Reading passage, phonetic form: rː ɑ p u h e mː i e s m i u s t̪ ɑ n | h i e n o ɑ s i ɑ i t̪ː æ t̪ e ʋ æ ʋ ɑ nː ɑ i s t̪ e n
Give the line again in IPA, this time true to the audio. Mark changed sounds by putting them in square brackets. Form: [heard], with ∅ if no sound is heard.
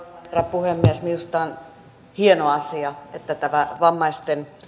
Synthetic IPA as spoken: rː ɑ p u h e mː i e s m i u s t̪ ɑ n | h i e n o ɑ s i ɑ [e] t̪ː æ t̪ [æ] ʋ æ ʋ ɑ [mː] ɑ i s t̪ e n

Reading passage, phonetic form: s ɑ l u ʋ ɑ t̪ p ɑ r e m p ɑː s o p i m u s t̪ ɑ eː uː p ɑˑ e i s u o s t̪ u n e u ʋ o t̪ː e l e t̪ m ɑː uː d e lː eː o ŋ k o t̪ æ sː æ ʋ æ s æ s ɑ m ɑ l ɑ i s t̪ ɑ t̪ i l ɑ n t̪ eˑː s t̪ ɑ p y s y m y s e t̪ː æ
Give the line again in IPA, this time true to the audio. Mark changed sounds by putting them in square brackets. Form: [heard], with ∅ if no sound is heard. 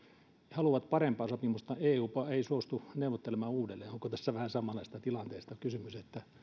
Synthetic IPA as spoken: [h] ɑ l u ʋ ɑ t̪ p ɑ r e m p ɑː s o p i m u s t̪ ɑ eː uː p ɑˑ e i s u o s t̪ u n e u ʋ o t̪ː e l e [∅] m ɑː uː d e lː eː o ŋ k o t̪ æ sː æ ʋ æ [h] æ s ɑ m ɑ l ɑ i s t̪ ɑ t̪ i l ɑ n t̪ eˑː s t̪ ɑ [k] y s y m y s e t̪ː æ

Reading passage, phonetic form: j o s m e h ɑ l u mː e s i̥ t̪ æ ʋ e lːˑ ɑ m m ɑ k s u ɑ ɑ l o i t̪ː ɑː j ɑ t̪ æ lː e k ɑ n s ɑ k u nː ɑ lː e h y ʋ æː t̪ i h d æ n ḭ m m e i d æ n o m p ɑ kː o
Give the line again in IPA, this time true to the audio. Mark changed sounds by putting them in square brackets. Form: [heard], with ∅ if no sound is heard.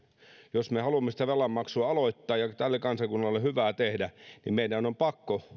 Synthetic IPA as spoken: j o s m e h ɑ l u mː e s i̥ t̪ æ ʋ e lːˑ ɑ m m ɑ k s u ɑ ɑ l o i t̪ː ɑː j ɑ t̪ æ lː e k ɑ n s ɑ k u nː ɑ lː e h y ʋ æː t̪ [e] h d æ n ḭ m m e i d æ n o m p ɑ kː o

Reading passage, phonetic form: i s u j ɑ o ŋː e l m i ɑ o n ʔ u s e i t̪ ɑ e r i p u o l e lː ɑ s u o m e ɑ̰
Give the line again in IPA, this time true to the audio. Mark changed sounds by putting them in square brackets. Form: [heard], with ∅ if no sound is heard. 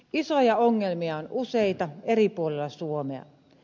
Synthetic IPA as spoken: i s [o] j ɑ o ŋː e l m i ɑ o n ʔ u s e i t̪ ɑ e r i p u o l e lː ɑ s u o m e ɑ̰

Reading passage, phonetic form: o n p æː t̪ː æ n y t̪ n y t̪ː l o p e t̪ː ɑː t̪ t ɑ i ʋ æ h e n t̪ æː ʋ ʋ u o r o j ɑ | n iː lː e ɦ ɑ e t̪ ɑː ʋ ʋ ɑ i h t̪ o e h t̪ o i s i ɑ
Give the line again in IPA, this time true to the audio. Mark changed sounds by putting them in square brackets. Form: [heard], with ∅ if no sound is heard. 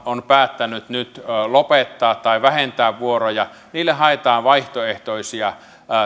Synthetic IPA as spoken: o n p æː t̪ː æ n y t̪ n y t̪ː l o p e t̪ː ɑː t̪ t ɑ i ʋ æ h e n t̪ æː ʋ ʋ u o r o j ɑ | n iː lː e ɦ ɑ e t̪ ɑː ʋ ʋ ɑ i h t̪ o e h t̪ o i s i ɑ

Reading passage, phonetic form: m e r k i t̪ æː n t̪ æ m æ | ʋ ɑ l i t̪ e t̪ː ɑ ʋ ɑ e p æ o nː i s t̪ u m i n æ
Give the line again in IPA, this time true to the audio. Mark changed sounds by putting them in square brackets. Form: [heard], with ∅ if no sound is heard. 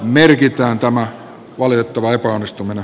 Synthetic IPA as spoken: m e r k i t̪ æː n t̪ æ m æ | ʋ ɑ l i t̪ e t̪ː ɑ ʋ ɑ e p æ o nː i s t̪ u m i n [e]

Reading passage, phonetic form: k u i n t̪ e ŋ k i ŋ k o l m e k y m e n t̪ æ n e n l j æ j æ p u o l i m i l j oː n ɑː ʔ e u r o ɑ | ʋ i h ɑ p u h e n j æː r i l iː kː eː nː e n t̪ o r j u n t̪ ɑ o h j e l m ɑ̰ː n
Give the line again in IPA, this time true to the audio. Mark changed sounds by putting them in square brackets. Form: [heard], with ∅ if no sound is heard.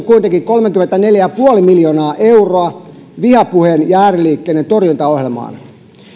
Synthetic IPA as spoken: k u i n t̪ e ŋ k i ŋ k o l m e k y m e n t̪ æ n e [∅] l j æ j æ p u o l i m i l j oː n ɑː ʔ e u r o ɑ | ʋ i h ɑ p u h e n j æː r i l iː kː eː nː e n t̪ o r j u n t̪ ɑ o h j e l m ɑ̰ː n

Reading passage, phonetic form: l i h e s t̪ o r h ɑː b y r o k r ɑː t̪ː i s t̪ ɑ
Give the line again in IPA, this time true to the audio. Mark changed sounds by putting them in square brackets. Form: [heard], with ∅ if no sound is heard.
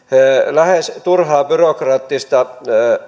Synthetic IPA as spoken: l [æ] h e s t̪ [u] r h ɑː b y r o k r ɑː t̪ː i s t̪ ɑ

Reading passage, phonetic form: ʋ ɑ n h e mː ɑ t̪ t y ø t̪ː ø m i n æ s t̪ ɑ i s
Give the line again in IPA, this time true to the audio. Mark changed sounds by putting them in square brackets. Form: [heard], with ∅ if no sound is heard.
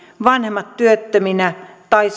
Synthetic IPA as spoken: ʋ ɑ n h e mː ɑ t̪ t y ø t̪ː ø m i n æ [∅] t̪ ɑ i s

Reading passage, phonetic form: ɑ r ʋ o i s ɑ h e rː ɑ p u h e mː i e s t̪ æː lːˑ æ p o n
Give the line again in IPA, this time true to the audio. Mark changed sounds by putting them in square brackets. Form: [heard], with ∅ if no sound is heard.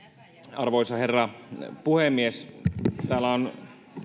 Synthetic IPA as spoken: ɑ r ʋ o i s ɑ h e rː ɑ p u h e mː i e s t̪ æː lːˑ æ [∅] o n

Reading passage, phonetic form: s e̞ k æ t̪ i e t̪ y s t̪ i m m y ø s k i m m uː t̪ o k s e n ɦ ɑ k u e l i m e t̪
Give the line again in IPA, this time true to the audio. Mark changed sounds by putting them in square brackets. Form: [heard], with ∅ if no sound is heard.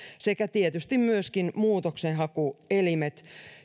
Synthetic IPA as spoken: s e̞ k æ t̪ i e t̪ y s t̪ i m m y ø s k i [n] m uː t̪ o k s e n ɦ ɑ k u e l i m e t̪

